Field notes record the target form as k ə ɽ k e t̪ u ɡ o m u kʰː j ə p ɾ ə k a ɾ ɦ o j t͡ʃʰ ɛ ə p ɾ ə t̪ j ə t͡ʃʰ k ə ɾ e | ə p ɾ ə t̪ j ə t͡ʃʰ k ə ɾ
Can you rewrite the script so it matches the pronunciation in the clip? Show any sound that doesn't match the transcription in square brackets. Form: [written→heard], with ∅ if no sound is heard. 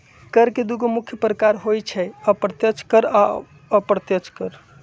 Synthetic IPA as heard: k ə [ɽ→ɾ] k e [t̪→d̪] u ɡ o m u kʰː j ə p ɾ ə k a ɾ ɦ o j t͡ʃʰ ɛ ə p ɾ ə t̪ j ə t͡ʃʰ k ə ɾ [e→a] | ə p ɾ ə t̪ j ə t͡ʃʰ k ə ɾ